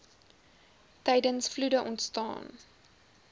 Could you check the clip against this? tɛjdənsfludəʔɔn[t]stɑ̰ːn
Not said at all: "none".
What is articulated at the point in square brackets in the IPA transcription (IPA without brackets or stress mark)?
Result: t